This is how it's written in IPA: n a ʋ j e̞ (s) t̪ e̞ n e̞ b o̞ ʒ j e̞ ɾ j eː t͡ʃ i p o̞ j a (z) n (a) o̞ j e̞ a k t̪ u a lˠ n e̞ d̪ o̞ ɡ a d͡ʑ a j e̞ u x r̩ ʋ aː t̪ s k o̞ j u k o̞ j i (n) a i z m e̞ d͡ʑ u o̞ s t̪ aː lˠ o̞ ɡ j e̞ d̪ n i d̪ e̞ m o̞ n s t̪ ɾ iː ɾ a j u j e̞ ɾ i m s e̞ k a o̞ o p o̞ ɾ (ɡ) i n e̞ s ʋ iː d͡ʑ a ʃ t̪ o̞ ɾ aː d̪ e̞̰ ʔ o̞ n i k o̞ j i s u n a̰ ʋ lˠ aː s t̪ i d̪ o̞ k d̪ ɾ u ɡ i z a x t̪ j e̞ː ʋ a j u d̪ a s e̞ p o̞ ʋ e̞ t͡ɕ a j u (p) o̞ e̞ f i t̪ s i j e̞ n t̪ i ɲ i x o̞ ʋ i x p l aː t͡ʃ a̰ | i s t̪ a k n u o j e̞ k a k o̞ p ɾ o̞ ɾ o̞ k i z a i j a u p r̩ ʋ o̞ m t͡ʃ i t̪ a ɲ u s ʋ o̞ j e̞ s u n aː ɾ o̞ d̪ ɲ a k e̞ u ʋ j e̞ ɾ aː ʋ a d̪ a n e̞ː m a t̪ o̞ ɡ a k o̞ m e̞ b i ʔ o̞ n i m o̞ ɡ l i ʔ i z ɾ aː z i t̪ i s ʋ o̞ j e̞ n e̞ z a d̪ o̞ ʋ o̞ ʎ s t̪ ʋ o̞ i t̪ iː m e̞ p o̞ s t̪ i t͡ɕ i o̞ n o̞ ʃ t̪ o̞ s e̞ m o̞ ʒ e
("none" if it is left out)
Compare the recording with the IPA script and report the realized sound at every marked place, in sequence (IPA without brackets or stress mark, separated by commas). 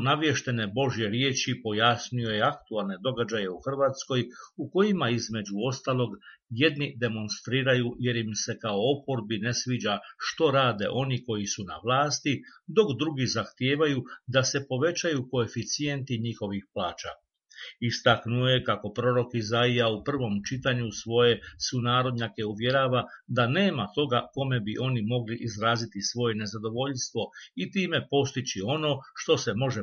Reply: ʃ, s, i, m, b, k